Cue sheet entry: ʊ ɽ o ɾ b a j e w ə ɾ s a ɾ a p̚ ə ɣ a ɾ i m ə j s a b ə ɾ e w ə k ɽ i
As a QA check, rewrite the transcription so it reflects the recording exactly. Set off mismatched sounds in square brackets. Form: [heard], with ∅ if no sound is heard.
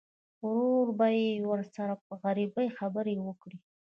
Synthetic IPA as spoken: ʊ [ɾ] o ɾ b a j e w ə ɾ s a ɾ a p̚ ə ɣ a ɾ i [b] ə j [x] a b ə ɾ e w ə k ɽ i